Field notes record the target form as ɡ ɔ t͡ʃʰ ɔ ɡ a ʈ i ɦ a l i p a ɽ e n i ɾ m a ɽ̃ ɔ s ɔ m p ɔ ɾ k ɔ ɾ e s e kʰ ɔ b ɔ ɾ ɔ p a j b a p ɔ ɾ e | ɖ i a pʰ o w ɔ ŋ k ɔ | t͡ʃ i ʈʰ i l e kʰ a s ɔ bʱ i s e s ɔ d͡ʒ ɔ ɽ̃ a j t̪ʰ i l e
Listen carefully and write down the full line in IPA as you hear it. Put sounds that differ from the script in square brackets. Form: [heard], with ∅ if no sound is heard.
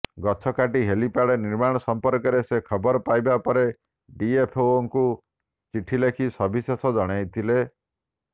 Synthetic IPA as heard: ɡ ɔ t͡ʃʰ ɔ [k] a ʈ i ɦ [e] l i p a ɽ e n i ɾ m a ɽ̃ ɔ s ɔ m p ɔ ɾ k ɔ ɾ e s e kʰ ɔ b ɔ ɾ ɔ p a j b a p ɔ ɾ e | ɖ i [e] pʰ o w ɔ ŋ k [u] | t͡ʃ i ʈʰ i l e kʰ [i] s ɔ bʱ i s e s ɔ d͡ʒ ɔ ɽ̃ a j t̪ʰ i l e

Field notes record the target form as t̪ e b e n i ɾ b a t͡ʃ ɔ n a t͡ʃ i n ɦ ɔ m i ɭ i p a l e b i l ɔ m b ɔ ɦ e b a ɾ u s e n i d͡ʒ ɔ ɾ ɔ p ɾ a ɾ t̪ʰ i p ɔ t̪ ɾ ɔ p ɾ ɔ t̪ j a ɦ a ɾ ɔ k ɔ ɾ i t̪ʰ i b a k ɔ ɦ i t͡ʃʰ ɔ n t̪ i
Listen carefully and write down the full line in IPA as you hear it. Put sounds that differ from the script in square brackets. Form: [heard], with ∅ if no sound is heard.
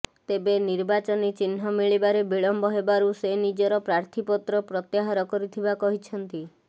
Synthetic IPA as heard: t̪ e b e n i ɾ b a t͡ʃ ɔ n [i] t͡ʃ i n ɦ ɔ m i ɭ i [b] a [ɾ] e b i [ɭ] ɔ m b ɔ ɦ e b a ɾ u s e n i d͡ʒ ɔ ɾ ɔ p ɾ a ɾ t̪ʰ i p ɔ t̪ ɾ ɔ p ɾ ɔ t̪ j a ɦ a ɾ ɔ k ɔ ɾ i t̪ʰ i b a k ɔ ɦ i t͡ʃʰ ɔ n t̪ i

